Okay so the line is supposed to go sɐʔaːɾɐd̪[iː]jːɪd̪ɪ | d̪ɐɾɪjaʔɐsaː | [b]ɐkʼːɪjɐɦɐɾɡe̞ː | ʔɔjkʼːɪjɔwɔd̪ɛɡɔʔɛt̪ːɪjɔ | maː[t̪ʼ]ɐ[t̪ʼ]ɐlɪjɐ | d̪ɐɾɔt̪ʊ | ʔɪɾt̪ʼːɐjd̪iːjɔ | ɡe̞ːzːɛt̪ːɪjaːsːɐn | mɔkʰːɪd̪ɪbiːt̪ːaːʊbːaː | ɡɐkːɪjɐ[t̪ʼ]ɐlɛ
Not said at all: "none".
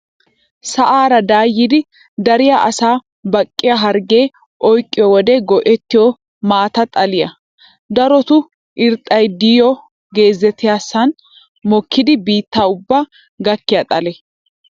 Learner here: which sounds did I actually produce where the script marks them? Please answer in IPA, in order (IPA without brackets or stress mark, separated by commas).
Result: aː, b, t̪, t̪ʼ, t̪ʼ